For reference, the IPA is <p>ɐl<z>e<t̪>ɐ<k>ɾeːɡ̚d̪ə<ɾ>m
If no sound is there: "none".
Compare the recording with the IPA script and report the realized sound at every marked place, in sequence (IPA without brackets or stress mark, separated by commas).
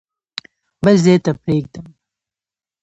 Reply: b, z, t̪, p, none